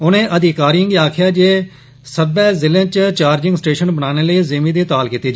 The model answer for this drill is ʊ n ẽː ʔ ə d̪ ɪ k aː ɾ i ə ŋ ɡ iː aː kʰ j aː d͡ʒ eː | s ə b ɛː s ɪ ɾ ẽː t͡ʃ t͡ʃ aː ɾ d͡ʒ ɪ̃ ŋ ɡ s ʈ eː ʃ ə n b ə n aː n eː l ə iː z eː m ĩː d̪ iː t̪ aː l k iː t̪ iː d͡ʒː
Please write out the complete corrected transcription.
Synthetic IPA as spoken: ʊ n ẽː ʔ ə d̪ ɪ k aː ɾ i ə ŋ ɡ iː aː kʰ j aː d͡ʒ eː | s ə b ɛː z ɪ l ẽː t͡ʃ t͡ʃ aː ɾ d͡ʒ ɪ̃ ŋ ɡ s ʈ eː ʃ ə n b ə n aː n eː l ə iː z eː m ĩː d̪ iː t̪ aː l k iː t̪ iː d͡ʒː